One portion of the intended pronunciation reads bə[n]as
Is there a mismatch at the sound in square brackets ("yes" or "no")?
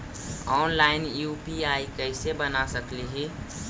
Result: no